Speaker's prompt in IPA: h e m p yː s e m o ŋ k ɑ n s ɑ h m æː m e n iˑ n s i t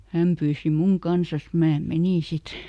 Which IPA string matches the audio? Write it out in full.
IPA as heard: h æ m p yː s i m u ŋ k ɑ n s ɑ s m æː m e n iˑ n s i t